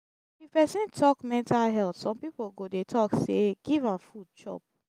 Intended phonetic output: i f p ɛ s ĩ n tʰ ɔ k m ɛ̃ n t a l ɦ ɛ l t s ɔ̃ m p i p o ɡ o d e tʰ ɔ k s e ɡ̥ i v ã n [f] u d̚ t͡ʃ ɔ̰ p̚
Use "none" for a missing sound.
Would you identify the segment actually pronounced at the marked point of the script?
f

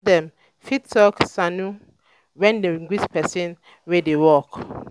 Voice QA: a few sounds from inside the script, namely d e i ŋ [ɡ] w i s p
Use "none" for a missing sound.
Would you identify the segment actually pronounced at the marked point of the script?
ɡ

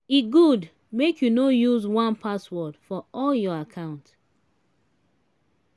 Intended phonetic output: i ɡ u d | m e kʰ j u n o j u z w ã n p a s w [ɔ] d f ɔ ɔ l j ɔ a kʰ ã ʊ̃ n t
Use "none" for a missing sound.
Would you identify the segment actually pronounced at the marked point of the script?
ɔ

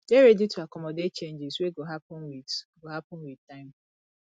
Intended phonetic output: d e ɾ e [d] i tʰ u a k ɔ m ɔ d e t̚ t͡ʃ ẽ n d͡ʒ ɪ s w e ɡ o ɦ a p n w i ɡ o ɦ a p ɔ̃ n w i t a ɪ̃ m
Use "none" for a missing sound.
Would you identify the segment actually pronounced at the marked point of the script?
d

